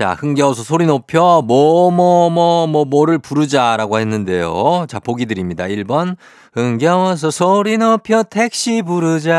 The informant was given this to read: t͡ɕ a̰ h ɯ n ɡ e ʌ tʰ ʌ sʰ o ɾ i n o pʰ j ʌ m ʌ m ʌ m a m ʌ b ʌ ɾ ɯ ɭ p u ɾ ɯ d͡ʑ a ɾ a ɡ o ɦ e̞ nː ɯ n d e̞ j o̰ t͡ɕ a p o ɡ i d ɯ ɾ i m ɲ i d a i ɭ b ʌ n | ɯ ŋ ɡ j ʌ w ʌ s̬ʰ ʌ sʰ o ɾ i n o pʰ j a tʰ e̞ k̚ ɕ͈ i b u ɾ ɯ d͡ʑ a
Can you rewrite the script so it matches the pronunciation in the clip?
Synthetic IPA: t͡ɕ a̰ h ɯ ŋ ɡ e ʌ sʰ ʌ sʰ o ɾ i n o pʰ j ʌ m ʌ m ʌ m ʌ m ʌ m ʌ ɾ ɯ ɭ p u ɾ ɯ d͡ʑ a ɾ a ɡ o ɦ e̞ nː ɯ n d e̞ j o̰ t͡ɕ a p o ɡ i d ɯ ɾ i m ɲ i d a i ɭ b ʌ n | ɯ ŋ ɡ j ʌ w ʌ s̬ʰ ʌ sʰ o ɾ i n o pʰ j ʌ tʰ e̞ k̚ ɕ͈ i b u ɾ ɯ d͡ʑ a